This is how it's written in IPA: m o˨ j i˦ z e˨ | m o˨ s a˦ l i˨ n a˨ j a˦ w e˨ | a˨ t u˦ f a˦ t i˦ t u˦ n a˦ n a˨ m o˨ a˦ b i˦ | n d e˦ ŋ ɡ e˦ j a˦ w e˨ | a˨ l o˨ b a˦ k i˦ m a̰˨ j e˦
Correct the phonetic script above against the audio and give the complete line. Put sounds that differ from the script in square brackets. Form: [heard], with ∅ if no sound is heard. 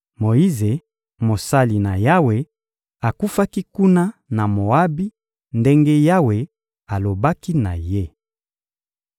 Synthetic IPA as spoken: m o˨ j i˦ z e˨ | m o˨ s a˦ l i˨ n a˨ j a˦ w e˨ | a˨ [k] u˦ f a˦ [k] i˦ [k] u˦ n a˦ n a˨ m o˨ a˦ b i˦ | n d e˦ ŋ ɡ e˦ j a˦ w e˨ | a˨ l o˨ b a˦ k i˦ [n] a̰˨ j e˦